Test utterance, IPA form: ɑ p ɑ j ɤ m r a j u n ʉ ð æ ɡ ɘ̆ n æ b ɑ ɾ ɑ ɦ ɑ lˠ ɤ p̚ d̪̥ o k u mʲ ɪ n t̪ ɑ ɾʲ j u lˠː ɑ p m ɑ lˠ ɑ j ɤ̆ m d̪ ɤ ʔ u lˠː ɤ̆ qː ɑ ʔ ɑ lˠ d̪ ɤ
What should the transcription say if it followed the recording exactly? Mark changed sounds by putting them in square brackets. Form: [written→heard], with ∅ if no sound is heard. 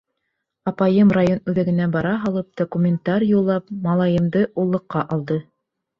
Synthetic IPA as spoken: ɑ p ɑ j ɤ m r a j [u→o] n ʉ ð æ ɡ ɘ̆ n æ b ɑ ɾ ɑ ɦ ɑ lˠ ɤ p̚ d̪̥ o k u mʲ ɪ n t̪ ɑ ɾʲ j u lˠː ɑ p m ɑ lˠ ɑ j ɤ̆ m d̪ ɤ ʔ u lˠː ɤ̆ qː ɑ ʔ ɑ lˠ d̪ ɤ